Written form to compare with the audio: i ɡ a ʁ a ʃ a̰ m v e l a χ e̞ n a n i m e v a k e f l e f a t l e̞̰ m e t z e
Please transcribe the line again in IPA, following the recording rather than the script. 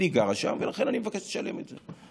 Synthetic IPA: i ɡ a ʁ a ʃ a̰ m v e l a χ e̞ n a n i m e v a k e ʃ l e ʃ a l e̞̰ m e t z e